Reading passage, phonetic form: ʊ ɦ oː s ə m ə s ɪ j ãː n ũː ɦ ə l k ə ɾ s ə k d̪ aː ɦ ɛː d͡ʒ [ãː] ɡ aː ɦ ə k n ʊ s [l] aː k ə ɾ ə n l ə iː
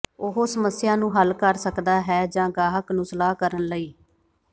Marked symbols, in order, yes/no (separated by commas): yes, yes